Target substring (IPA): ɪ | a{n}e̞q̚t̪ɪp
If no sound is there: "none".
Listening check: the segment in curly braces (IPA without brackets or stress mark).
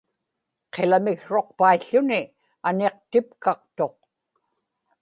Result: n